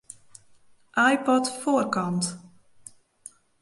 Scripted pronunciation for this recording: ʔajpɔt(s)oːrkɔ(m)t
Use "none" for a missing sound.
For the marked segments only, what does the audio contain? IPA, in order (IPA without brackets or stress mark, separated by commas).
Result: f, n